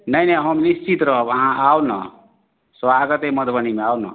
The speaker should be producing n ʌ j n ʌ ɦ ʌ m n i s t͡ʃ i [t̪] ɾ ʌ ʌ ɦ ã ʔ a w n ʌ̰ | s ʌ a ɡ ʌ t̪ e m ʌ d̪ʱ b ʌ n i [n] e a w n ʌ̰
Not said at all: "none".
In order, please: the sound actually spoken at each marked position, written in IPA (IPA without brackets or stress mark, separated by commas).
t̪, m